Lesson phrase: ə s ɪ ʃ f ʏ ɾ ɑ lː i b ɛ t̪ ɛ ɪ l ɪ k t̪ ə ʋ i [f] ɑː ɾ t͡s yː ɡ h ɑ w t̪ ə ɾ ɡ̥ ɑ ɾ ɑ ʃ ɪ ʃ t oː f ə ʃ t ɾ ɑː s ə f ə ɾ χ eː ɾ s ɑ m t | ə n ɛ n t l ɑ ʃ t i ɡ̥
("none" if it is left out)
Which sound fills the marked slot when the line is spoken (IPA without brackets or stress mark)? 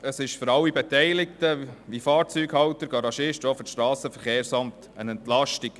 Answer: f